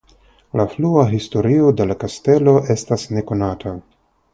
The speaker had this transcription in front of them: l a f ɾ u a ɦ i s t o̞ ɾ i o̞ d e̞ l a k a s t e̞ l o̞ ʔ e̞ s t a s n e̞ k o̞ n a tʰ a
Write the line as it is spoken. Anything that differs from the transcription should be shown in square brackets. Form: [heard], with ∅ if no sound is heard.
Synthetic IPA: l a f [l] u a ɦ i s t o̞ ɾ i o̞ d e̞ l a k a s t e̞ l o̞ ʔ e̞ s t a s n e̞ k o̞ n a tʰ a